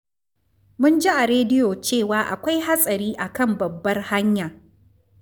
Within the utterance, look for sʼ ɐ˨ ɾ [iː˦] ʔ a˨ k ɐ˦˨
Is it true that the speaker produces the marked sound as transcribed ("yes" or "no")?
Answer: yes